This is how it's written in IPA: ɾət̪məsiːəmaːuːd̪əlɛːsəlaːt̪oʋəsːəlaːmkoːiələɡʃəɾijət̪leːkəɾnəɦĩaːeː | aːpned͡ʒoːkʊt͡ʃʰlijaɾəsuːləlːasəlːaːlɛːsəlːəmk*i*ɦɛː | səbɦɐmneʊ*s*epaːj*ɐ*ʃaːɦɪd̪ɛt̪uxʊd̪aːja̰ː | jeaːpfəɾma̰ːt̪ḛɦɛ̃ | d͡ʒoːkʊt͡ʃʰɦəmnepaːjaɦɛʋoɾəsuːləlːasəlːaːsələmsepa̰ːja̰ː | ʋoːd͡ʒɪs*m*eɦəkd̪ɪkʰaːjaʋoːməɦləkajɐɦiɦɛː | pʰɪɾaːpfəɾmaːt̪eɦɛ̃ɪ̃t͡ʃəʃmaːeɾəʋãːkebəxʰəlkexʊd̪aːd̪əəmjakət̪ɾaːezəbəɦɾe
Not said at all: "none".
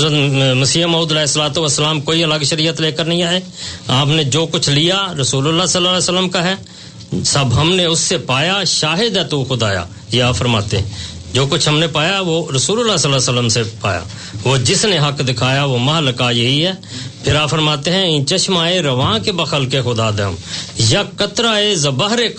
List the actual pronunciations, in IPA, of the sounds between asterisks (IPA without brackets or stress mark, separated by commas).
a, sː, a, n